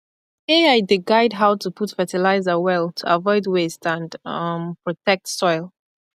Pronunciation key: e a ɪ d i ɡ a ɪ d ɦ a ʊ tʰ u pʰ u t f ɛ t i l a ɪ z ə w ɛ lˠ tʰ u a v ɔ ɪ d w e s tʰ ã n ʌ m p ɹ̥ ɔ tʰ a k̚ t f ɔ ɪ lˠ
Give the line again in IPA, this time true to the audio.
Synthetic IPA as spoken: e a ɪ d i ɡ a ɪ d ɦ a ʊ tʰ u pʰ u t f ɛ t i l a ɪ z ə w ɛ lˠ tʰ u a v ɔ ɪ d w e s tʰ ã n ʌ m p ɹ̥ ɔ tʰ ɛ k̚ t s ɔ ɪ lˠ